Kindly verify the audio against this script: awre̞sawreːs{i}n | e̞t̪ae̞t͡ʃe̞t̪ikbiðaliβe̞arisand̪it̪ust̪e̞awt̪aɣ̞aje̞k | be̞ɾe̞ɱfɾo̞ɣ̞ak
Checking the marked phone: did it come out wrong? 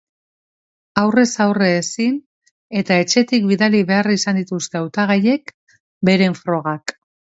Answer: no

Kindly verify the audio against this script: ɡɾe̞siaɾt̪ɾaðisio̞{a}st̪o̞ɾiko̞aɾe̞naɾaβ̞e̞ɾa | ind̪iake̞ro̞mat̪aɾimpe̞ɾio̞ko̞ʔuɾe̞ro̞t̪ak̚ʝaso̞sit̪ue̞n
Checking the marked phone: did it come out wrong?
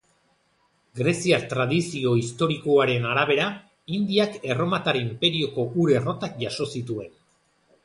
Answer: yes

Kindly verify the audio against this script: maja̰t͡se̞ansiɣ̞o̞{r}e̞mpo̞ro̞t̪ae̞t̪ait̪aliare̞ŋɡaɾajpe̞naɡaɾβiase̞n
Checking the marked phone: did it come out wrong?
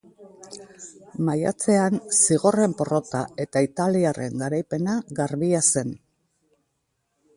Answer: no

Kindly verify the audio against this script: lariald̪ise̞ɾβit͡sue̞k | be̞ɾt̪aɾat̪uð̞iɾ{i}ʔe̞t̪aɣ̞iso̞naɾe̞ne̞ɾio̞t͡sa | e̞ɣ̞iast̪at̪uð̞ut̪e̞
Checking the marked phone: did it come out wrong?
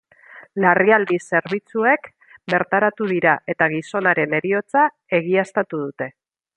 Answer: yes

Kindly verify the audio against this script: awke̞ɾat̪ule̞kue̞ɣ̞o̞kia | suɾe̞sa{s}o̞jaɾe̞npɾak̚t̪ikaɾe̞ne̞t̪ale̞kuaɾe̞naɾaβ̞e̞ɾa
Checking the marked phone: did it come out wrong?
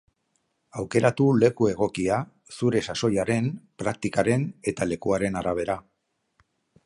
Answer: no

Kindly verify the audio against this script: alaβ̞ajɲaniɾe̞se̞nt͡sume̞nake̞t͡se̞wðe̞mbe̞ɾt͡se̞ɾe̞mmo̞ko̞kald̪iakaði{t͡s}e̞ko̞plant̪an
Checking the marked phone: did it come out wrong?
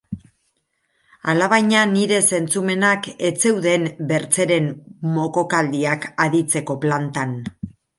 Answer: no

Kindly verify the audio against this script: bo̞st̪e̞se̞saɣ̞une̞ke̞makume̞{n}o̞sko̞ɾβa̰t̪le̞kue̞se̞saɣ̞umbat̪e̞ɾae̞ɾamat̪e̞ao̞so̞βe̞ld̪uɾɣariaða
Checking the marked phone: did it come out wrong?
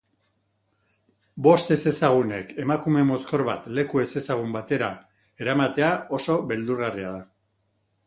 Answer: yes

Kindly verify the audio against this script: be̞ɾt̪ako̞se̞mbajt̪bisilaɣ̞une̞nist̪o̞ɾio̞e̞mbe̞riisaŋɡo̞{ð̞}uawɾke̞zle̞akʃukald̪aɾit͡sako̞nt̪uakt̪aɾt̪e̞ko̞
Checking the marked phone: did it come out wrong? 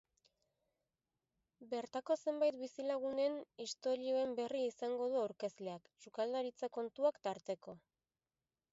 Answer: no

